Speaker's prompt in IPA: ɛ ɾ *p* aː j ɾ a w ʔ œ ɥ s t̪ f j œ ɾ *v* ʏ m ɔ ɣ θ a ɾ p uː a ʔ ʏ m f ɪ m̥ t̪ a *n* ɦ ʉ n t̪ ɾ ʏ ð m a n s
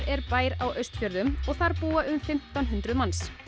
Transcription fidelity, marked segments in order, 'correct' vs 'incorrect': correct, incorrect: ð, correct

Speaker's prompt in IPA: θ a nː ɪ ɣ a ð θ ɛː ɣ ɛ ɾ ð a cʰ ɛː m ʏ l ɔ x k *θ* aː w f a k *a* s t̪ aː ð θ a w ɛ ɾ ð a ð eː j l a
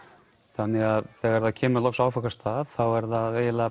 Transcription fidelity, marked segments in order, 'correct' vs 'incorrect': incorrect: s, correct

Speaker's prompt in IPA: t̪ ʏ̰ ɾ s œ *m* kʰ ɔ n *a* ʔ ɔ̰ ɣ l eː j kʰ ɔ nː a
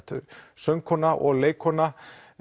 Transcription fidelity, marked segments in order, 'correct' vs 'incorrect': incorrect: ŋ, correct

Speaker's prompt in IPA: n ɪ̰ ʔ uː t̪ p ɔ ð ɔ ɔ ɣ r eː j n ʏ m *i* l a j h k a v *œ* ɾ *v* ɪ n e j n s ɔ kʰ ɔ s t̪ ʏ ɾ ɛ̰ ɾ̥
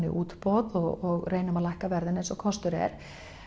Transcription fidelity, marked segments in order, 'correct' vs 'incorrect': incorrect: a, incorrect: ɛ, incorrect: ð

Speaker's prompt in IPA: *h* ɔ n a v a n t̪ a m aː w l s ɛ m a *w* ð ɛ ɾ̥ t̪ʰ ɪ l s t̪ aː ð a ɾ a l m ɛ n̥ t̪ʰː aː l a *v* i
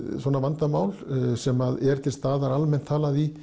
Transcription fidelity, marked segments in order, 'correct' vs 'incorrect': incorrect: s, incorrect: none, incorrect: ð

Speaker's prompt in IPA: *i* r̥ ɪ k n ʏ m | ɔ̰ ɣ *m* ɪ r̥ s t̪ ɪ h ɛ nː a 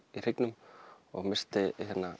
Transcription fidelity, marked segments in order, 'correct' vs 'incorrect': correct, correct

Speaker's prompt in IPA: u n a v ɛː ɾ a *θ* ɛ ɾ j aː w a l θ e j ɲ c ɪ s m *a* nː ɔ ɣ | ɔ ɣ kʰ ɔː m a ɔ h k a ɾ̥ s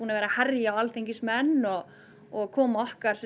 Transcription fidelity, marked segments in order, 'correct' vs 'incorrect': incorrect: h, incorrect: ɛ

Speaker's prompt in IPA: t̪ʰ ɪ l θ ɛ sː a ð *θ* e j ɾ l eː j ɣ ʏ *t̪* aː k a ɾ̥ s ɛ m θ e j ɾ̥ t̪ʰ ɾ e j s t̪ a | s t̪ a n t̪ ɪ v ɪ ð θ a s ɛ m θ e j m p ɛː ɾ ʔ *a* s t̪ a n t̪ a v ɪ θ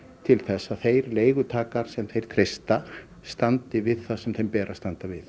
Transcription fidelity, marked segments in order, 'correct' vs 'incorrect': correct, incorrect: t̪ʰ, correct

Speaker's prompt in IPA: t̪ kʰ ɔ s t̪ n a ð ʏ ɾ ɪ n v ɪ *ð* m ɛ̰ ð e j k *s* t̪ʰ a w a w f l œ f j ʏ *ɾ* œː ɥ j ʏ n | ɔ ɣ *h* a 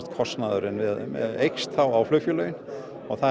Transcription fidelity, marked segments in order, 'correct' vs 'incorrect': correct, correct, incorrect: l, incorrect: θ

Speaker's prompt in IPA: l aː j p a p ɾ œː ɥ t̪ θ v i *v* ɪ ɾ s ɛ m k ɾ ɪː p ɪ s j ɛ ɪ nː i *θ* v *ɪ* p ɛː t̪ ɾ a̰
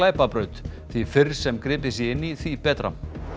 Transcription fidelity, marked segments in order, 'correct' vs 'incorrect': incorrect: f, correct, incorrect: i

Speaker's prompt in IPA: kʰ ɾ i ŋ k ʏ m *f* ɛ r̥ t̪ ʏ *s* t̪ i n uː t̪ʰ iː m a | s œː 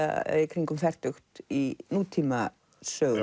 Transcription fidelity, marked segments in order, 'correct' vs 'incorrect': correct, incorrect: x

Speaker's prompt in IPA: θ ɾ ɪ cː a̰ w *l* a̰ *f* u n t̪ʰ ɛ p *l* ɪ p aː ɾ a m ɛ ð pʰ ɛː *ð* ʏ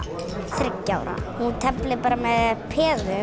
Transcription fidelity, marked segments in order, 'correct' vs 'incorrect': incorrect: ɾ, incorrect: h, correct, correct

